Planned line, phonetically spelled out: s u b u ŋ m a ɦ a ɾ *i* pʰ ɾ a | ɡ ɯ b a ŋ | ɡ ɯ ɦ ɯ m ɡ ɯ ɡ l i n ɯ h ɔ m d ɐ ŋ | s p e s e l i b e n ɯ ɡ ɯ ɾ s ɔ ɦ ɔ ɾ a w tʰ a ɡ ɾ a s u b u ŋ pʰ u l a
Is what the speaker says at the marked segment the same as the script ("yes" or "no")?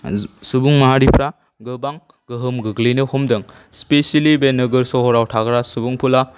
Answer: yes